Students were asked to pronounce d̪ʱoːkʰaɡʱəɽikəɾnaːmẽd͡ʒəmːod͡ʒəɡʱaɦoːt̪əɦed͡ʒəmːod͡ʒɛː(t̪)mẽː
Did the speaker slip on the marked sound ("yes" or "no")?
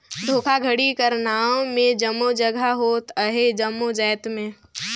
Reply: no